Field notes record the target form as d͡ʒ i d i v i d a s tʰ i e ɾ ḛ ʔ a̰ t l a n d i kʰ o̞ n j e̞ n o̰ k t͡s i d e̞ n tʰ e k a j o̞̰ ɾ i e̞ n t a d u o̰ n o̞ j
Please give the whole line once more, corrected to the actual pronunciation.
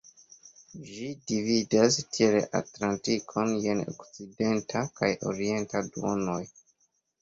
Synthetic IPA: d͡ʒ i d i v i d a s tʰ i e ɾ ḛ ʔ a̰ t l a n t i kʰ o̞ n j e̞ n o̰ k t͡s i d e̞ n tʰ a k a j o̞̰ ɾ i e̞ n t a d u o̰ n o̞ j